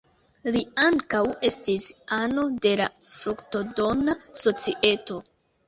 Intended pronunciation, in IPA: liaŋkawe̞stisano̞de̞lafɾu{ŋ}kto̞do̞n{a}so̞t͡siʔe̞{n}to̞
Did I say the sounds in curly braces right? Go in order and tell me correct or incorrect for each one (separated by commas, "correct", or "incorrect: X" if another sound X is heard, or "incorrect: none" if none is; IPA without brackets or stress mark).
incorrect: none, correct, incorrect: none